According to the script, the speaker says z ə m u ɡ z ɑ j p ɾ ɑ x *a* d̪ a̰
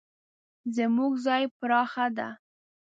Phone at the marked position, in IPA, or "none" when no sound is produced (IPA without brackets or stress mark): a